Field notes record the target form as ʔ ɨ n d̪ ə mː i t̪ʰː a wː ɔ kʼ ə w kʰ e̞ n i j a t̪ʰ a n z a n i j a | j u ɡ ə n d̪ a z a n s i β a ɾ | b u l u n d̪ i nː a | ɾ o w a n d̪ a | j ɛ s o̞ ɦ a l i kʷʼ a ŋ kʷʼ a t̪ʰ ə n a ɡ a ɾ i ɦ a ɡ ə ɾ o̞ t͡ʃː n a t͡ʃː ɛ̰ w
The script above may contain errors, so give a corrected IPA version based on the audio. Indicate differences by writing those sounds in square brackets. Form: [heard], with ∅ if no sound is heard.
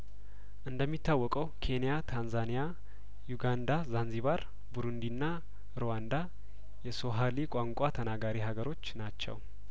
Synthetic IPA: ʔ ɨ n d̪ ə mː i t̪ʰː a wː ɔ kʼ ə w kʰ e̞ n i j a t̪ʰ a n z a n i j a | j u ɡ [a] n d̪ a z a n [z] i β a ɾ | b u [ɾ] u n d̪ i nː a | ɾ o w a n d̪ a | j ɛ s o̞ ɦ a l i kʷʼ a ŋ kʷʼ a t̪ʰ ə n a ɡ a ɾ i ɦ a ɡ ə ɾ o̞ t͡ʃː n a t͡ʃː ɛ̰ w